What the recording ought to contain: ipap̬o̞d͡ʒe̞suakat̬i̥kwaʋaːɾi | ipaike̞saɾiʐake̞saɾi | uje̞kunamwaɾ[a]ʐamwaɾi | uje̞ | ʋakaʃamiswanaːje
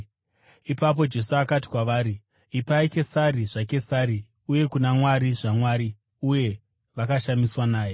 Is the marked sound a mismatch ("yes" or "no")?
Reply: yes